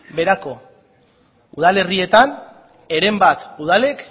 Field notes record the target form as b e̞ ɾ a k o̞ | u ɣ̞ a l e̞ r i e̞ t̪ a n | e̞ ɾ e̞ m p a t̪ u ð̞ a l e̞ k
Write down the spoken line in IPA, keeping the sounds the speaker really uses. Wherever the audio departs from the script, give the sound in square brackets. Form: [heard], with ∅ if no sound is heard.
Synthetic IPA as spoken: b e̞ ɾ a k o̞ | u [ð̞] a l e̞ r i e̞ t̪ a n | e̞ ɾ e̞ m [b] a t̪ u ð̞ a l e̞ k